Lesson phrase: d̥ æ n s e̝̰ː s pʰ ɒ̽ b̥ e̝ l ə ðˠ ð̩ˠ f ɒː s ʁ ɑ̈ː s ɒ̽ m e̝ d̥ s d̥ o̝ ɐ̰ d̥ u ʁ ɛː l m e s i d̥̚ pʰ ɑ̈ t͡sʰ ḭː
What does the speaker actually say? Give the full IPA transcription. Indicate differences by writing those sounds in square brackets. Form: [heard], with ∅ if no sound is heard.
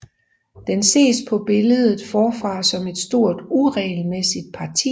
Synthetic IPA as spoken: d̥ [e] n s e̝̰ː s pʰ ɒ̽ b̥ e̝ l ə ðˠ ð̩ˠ f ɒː [f] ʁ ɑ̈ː s ɒ̽ m e̝ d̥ s d̥ o̝ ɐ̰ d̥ u ʁ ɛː l m e s i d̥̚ pʰ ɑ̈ t͡sʰ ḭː